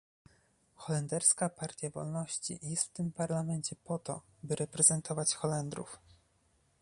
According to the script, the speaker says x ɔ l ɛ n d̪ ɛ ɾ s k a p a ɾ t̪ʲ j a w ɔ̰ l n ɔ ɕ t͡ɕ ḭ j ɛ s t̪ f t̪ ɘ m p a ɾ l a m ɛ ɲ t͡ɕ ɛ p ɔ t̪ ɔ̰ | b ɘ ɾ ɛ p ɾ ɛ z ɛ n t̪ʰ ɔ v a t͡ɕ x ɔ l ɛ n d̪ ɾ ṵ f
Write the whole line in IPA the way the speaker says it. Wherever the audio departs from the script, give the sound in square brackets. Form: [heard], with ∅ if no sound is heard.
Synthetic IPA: x ɔ l ɛ n d̪ ɛ ɾ s k a p a ɾ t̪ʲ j a [v] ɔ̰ l n ɔ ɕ t͡ɕ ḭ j ɛ s t̪ f t̪ ɘ m p a ɾ l a m ɛ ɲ t͡ɕ ɛ p ɔ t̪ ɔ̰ | b ɘ ɾ ɛ p ɾ ɛ z ɛ n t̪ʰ ɔ v a t͡ɕ x ɔ l ɛ n d̪ ɾ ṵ f